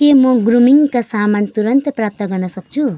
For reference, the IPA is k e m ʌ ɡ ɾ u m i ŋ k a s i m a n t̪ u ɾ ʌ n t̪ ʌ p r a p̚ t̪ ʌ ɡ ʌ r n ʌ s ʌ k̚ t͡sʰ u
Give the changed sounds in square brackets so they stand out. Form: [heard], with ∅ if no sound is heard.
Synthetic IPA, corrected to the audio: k e m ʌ ɡ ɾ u m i ŋ k a s [a] m a n t̪ u ɾ ʌ n t̪ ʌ p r a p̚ t̪ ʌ ɡ ʌ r n ʌ s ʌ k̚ t͡sʰ u